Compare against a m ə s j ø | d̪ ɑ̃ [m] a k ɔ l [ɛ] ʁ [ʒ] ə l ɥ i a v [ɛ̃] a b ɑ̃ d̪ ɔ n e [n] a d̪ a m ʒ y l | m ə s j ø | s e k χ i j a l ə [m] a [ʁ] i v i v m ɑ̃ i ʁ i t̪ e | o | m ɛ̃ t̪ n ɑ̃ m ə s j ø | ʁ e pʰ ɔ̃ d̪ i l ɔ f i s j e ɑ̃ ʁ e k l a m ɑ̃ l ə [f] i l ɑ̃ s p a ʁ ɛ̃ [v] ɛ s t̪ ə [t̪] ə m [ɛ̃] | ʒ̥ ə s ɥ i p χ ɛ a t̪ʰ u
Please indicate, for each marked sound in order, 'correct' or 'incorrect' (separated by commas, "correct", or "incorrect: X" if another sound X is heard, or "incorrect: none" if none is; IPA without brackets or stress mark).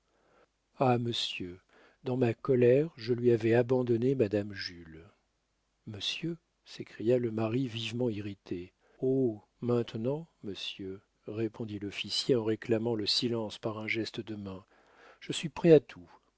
correct, correct, correct, incorrect: ɛ, incorrect: m, correct, correct, incorrect: s, incorrect: ʒ, incorrect: d̪, correct